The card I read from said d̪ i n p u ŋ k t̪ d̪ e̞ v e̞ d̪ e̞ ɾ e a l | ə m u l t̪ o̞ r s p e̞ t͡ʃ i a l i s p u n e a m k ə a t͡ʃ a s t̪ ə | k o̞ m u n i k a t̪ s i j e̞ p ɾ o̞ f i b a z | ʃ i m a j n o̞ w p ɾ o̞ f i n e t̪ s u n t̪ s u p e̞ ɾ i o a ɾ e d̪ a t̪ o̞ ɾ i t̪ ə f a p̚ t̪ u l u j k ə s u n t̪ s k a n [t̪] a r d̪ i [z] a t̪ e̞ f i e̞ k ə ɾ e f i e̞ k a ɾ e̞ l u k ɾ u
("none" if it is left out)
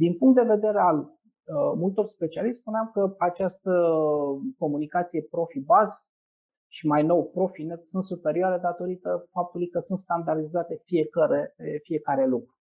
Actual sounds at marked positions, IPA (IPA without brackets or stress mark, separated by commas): d̪, z